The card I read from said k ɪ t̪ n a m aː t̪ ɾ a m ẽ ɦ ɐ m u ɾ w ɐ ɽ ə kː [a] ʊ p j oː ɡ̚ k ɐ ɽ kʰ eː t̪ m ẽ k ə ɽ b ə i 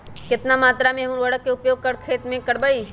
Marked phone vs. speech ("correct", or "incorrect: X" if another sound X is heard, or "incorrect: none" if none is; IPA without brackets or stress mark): incorrect: e